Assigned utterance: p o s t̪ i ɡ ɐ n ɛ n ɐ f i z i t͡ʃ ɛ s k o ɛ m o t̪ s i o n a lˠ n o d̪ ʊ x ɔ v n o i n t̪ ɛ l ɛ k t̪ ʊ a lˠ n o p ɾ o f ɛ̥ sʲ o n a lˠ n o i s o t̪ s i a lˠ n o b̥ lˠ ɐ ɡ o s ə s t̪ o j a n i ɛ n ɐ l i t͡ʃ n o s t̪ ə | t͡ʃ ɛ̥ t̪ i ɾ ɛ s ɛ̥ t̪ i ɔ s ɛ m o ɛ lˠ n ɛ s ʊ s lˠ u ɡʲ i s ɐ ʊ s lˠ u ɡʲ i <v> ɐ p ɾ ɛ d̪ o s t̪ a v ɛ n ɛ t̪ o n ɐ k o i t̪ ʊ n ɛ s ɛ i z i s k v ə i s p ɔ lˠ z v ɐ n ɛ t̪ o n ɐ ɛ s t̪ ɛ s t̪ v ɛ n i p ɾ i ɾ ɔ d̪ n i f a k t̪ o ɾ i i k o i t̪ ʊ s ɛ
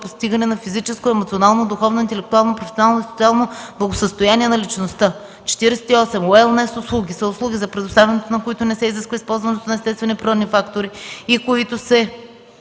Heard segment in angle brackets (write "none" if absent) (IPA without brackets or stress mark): z